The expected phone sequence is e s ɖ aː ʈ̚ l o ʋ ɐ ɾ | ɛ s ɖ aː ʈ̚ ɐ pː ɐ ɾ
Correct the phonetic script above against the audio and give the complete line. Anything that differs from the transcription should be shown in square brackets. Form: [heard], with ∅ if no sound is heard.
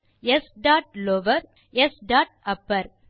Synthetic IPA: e s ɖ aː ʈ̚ l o ʋ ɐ ɾ | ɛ s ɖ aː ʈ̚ ɐ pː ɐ ɾ